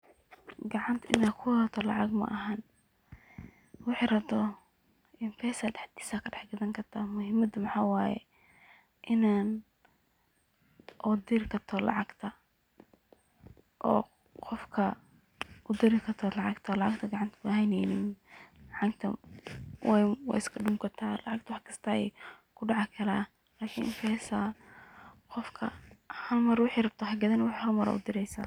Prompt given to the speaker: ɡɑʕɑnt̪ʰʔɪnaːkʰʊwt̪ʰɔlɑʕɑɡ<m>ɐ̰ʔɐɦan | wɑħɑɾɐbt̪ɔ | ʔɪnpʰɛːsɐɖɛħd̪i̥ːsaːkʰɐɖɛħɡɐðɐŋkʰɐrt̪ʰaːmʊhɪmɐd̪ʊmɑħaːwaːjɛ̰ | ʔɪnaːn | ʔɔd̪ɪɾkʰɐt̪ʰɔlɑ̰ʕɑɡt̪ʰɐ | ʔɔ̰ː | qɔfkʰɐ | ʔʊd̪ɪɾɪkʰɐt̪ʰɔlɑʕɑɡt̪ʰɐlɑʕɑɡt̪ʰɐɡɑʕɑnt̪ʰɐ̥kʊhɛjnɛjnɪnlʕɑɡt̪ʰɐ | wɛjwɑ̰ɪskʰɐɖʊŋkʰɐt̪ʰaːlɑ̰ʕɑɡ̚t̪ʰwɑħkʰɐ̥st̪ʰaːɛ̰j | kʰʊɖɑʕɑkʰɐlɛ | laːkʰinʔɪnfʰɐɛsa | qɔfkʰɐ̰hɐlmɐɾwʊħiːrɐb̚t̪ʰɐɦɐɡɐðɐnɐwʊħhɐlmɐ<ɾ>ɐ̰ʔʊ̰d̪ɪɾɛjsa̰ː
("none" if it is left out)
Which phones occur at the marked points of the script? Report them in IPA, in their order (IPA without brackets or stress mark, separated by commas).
m, ɾ